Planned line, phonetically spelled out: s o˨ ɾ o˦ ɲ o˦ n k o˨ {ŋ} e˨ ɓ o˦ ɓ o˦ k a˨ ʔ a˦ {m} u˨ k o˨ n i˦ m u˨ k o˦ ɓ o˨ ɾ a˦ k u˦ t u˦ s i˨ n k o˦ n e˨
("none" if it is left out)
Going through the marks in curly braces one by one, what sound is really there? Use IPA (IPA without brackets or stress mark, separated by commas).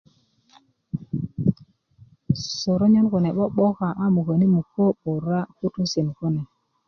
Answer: n, m